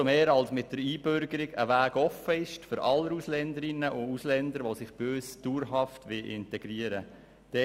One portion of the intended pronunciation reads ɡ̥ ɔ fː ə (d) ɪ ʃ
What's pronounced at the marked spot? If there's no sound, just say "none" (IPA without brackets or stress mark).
none